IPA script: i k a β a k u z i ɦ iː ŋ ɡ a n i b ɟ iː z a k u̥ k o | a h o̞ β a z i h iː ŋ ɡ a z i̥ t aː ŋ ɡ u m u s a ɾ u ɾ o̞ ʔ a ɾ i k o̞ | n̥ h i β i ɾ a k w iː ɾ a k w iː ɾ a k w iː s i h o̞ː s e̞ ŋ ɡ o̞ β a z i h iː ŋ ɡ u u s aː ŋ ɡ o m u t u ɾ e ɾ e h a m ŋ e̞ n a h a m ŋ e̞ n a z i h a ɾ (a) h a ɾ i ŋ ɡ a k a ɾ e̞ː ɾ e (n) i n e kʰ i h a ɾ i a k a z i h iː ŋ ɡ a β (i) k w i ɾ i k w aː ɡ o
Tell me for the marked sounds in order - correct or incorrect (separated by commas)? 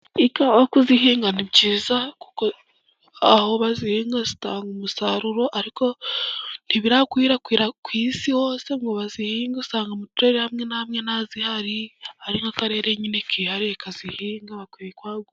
incorrect, incorrect, incorrect